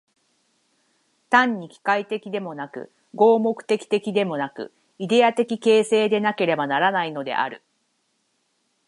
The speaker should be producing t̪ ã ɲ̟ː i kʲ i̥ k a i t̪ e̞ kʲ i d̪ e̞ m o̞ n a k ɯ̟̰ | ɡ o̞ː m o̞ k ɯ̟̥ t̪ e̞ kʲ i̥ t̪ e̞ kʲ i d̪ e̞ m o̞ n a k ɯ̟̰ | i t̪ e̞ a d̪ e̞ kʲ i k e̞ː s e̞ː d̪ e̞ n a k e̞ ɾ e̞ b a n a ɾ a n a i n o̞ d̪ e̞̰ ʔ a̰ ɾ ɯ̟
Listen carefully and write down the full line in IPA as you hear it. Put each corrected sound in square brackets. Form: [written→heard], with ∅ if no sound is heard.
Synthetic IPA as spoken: t̪ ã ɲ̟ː i kʲ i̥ k a i t̪ e̞ kʲ i d̪ e̞ m o̞ n a k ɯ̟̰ | ɡ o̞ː m o̞ k ɯ̟̥ t̪ e̞ kʲ i̥ t̪ e̞ kʲ i d̪ e̞ m o̞ n a k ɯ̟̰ | i [t̪→d̪] e̞ a [d̪→t̪] e̞ kʲ i k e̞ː s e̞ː d̪ e̞ n a k e̞ ɾ e̞ b a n a ɾ a n a i n o̞ d̪ e̞̰ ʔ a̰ ɾ ɯ̟